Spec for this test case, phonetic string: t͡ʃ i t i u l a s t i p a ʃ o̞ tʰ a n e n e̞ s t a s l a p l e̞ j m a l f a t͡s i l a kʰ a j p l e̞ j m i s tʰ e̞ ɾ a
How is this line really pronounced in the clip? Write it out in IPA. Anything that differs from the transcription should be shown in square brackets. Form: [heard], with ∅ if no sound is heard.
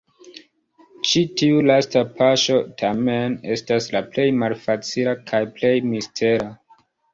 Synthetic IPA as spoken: t͡ʃ i t i u l a s t [a] p a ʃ o̞ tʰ a [m] e n e̞ s t a s l a p l e̞ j m a l f a t͡s i l a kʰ a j p l e̞ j m i s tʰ e̞ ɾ a